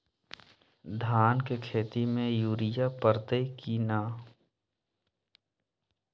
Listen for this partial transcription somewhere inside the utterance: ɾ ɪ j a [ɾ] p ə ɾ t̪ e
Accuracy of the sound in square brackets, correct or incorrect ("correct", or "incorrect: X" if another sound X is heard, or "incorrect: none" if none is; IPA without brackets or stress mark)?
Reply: incorrect: none